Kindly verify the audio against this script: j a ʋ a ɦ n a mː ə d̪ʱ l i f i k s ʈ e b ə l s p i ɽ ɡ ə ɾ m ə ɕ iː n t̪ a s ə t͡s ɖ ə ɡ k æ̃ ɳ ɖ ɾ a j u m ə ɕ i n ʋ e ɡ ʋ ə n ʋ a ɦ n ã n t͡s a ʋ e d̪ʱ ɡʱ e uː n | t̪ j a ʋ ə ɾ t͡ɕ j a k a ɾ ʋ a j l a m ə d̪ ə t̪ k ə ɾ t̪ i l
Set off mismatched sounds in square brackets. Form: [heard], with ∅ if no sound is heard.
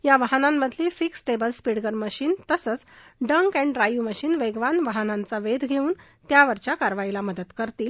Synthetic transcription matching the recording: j a ʋ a ɦ n a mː ə d̪ʱ l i f i k s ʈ e b ə l s p i ɽ ɡ ə ɾ m ə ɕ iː n t̪ [ə] s ə t͡s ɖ ə [ŋ] k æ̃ ɳ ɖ ɾ a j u m ə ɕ [iː] n ʋ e ɡ ʋ [a] n ʋ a ɦ n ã n t͡s a ʋ e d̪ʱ ɡʱ e uː n | t̪ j a ʋ ə ɾ t͡ɕ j a k a ɾ ʋ a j l a m ə d̪ ə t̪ k ə ɾ t̪ [iː] l